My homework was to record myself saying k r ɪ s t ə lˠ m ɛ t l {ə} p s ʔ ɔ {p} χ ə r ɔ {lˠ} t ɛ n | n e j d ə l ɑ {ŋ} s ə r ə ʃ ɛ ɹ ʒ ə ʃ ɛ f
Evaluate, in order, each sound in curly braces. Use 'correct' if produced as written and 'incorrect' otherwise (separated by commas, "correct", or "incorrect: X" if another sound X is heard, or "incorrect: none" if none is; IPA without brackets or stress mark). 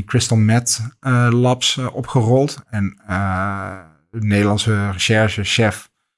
incorrect: ɑ, correct, correct, incorrect: n